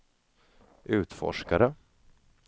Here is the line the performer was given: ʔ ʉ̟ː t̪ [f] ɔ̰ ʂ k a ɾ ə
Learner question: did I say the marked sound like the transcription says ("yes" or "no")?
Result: yes